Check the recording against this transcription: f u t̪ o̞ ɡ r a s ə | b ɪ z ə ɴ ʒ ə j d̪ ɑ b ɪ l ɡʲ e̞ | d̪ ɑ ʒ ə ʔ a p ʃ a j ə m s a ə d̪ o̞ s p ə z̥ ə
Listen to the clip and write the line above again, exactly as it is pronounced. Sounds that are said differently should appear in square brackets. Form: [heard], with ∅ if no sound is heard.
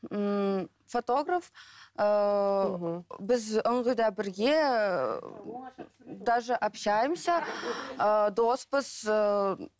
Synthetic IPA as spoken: f [o] t̪ o̞ ɡ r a [f] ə | b ɪ z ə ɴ [ʁ] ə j d̪ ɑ b ɪ [ɾ] ɡʲ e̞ | d̪ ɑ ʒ ə ʔ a p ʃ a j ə m s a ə d̪ o̞ s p ə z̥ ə